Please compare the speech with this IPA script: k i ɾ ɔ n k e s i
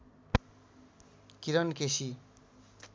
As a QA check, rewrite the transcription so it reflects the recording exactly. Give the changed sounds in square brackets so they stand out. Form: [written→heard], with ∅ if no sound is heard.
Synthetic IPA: k i ɾ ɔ n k e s i